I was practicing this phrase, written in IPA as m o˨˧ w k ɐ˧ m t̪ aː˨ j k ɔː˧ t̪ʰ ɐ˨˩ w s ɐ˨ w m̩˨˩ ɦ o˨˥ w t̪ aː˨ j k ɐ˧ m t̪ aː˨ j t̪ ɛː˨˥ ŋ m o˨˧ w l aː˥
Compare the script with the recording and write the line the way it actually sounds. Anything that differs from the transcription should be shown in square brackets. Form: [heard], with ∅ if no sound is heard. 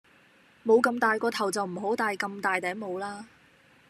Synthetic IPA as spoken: m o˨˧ w k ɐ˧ m t̪ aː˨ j k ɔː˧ t̪ʰ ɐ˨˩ w [t͡s] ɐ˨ w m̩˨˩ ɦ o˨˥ w t̪ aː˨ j k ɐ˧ m t̪ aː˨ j t̪ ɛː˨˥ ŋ m o˨˧ w l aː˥